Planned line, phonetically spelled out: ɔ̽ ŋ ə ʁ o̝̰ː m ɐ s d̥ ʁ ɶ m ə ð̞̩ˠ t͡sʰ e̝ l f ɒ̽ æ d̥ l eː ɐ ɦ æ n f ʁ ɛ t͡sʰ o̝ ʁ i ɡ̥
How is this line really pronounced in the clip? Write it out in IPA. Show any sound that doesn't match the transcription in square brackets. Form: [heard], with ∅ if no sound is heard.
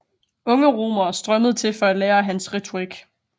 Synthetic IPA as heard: ɔ̽ ŋ ə ʁ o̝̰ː m ɐ s d̥ ʁ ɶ m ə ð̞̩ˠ t͡sʰ e̝ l f ɒ̽ æ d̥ l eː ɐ ɦ æ n [s] ʁ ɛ t͡sʰ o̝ ʁ i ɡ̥